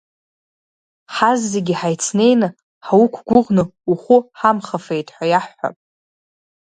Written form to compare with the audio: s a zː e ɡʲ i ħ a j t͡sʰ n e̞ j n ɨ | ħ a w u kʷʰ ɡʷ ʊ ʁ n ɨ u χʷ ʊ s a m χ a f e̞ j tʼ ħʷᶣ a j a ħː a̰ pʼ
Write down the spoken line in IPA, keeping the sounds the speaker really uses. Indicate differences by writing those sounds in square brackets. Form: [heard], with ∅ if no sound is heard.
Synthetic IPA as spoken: [ħ] a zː e ɡʲ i ħ a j t͡sʰ n e̞ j n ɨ | ħ a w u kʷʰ ɡʷ ʊ ʁ n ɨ u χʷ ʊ [ħ] a m χ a f e̞ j tʼ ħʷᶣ a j a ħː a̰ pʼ